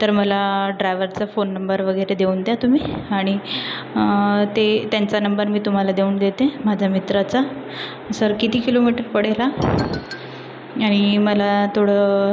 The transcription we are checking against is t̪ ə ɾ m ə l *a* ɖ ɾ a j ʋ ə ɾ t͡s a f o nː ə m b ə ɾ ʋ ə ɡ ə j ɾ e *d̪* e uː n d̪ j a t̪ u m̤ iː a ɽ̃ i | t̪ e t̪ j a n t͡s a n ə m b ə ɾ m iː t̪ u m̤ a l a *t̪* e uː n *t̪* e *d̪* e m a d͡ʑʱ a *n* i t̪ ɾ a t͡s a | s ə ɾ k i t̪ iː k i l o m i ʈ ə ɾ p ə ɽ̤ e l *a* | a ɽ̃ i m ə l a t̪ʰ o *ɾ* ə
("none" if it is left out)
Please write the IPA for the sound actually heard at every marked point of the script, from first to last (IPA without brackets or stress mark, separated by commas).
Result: a, d̪, d̪, d̪, t̪, m, a, ɽ